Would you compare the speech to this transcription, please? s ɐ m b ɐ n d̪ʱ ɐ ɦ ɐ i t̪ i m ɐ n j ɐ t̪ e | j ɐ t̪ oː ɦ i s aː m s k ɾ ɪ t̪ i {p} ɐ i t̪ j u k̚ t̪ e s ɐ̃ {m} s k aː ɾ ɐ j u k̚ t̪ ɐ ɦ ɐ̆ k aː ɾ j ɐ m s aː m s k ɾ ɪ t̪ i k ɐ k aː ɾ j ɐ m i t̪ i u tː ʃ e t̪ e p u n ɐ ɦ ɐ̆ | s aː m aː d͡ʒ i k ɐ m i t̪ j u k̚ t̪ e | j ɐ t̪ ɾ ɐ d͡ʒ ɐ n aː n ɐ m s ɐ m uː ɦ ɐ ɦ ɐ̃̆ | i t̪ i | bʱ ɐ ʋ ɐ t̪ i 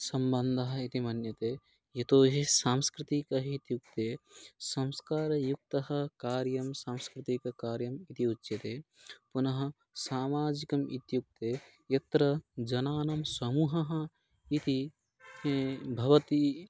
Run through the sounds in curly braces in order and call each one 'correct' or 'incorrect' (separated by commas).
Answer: incorrect, correct